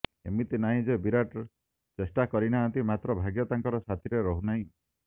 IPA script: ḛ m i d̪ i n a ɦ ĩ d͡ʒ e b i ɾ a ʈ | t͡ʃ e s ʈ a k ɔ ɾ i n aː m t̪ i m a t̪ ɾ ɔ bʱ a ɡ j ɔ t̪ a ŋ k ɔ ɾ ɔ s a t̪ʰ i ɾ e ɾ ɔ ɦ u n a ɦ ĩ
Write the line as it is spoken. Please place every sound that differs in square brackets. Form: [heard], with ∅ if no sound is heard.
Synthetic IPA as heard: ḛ m i [t̪] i n a ɦ ĩ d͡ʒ e b i ɾ a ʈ | t͡ʃ e s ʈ a k ɔ ɾ i n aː [n] t̪ i m a t̪ ɾ ɔ bʱ a ɡ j ɔ t̪ a ŋ k ɔ ɾ ɔ s a t̪ʰ i ɾ e ɾ ɔ ɦ u n a ɦ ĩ